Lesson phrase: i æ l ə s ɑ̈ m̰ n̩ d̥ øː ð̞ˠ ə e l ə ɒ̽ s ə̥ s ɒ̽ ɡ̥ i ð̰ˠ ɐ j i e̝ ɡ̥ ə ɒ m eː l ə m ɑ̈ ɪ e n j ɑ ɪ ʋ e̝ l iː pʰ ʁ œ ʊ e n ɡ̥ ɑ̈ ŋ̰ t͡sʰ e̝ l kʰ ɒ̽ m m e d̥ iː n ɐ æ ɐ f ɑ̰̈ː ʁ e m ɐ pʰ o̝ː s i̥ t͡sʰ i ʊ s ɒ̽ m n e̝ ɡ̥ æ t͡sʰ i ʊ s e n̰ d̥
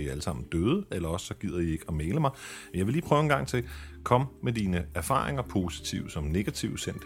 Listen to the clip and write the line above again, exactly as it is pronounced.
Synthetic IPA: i æ l ə s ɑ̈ m̰ n̩ d̥ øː ð̞ˠ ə e l ɐ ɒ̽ s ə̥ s ɒ̽ ɡ̥ i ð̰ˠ ɐ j i e̝ ɡ̥ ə ɒ m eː l ə m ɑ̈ ɪ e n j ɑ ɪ ʋ e̝ l iː pʰ ʁ œ ʊ e n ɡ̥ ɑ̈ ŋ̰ t͡sʰ e̝ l kʰ ɒ̽ m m e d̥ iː n ə æ ɐ f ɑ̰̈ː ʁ e ŋ ɐ pʰ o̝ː s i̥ t͡sʰ i ʊ s ɒ̽ m n e̝ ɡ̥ æ t͡sʰ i ʊ s e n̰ d̥